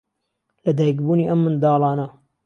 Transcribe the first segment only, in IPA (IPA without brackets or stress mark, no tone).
l